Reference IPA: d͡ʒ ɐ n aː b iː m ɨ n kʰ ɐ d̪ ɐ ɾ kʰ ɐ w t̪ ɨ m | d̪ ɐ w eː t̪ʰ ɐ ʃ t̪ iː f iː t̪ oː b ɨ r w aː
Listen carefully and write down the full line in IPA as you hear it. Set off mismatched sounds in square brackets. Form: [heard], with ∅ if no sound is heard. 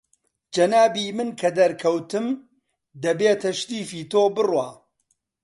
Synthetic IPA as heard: d͡ʒ ɐ n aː b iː m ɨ n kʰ ɐ d̪ ɐ ɾ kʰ ɐ w t̪ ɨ m | d̪ ɐ [b] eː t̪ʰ ɐ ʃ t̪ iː f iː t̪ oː b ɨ r w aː

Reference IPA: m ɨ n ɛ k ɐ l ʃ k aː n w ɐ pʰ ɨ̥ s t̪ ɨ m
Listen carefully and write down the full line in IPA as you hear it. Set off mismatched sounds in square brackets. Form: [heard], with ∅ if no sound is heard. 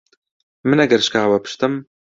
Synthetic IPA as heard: m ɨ n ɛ [ɡ] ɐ [ɾ] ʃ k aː [∅] w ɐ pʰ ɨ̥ [ʃ] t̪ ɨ m

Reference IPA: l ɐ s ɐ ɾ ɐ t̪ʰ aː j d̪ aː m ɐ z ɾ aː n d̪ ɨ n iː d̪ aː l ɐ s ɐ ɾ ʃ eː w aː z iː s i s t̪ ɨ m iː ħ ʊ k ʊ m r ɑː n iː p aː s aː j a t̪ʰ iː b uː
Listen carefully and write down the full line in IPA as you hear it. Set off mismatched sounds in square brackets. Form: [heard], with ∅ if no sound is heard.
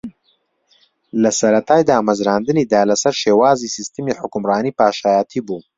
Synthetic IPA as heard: l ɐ s ɐ ɾ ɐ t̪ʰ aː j d̪ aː m ɐ z ɾ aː n d̪ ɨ n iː d̪ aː l ɐ s ɐ ɾ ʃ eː w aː z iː s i s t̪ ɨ m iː ħ ʊ k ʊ m r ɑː n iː p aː [ʃ] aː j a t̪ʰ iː b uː

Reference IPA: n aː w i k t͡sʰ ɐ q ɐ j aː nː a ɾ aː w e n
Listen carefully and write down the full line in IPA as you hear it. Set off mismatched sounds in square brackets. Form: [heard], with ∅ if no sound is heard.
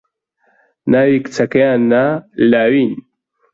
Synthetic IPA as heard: n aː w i k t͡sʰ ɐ [k] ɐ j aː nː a [l] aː w [i] n

